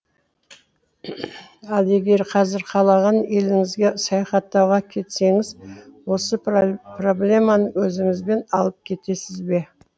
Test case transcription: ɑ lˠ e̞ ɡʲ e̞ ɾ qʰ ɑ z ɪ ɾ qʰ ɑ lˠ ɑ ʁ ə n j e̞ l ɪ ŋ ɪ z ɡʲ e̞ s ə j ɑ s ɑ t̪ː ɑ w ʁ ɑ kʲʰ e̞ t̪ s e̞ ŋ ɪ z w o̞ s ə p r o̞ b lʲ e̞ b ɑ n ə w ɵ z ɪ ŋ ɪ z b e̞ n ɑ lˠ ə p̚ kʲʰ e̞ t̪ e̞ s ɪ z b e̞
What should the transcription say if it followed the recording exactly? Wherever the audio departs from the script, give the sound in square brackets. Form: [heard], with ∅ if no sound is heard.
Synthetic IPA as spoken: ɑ lˠ e̞ ɡʲ e̞ ɾ qʰ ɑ z ɪ ɾ qʰ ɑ lˠ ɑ ʁ [ɑ] n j e̞ l ɪ ŋ ɪ z ɡʲ e̞ s [ɑ] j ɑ [χ] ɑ t̪ː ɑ w ʁ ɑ kʲʰ e̞ t̪ s e̞ ŋ ɪ z w o̞ s ə p r o̞ b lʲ e̞ [m] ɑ n ə w ɵ z ɪ ŋ ɪ z b e̞ n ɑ lˠ ə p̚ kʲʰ e̞ t̪ e̞ s ɪ z b e̞